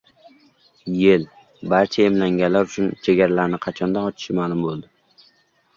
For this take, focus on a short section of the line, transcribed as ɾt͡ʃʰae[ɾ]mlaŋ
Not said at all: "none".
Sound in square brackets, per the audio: none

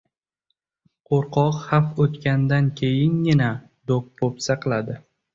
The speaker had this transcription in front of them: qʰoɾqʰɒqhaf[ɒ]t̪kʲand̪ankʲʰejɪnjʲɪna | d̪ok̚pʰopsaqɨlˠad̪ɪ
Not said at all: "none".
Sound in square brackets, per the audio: o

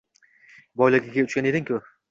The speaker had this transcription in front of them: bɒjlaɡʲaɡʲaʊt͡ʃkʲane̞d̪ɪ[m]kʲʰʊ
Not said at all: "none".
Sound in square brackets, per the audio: ŋ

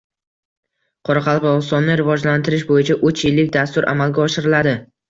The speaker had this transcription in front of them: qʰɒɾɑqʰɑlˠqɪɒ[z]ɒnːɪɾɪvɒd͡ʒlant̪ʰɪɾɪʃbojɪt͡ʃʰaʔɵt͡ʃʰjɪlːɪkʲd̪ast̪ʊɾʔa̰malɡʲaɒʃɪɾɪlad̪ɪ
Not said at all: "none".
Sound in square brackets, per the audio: s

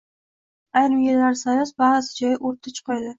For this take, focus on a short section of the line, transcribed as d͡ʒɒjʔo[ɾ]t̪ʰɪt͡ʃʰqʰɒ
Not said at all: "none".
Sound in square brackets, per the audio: ɾ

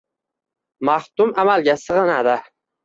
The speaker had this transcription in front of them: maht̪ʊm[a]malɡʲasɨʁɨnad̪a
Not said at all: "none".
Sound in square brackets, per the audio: a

